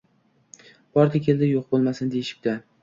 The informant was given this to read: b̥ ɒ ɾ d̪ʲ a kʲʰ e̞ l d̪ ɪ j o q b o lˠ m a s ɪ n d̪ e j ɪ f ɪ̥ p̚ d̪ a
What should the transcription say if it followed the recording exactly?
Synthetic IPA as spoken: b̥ ɒ ɾ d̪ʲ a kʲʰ e̞ l d̪ ɪ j o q b o lˠ m a s ɪ n d̪ e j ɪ ʃ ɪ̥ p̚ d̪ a